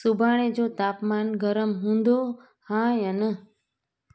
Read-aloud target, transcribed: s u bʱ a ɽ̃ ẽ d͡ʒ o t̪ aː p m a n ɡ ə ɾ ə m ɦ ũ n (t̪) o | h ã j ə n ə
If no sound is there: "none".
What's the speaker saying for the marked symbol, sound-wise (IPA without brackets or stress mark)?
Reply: d̪